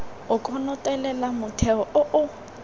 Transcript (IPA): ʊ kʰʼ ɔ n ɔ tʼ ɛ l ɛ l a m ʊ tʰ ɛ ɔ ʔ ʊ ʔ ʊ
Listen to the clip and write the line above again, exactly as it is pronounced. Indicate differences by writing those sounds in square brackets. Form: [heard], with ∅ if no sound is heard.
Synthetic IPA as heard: ʊ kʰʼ ɔ n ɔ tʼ ɛ l ɛ l a m ʊ tʰ ɛ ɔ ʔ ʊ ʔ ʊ